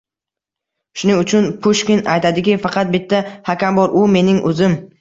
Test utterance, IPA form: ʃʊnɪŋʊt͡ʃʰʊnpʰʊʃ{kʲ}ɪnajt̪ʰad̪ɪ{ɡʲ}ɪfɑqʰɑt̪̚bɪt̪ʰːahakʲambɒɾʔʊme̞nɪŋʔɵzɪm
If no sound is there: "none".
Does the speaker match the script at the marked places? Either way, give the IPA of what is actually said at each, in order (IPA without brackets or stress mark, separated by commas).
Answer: kʲ, kʲ